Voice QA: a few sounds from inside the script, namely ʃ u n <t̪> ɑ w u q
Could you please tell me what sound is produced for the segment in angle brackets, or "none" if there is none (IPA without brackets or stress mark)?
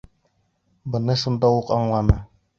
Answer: d̪